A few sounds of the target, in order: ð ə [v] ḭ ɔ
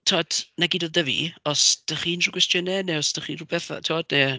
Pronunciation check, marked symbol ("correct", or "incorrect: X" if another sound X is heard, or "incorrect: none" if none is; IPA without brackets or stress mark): correct